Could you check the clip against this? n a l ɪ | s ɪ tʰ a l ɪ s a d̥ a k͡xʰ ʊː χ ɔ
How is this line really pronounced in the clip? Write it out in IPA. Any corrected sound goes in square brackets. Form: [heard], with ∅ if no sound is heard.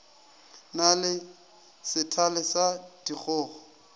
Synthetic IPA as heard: n a l ɪ | s ɪ tʰ a l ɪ s a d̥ [i] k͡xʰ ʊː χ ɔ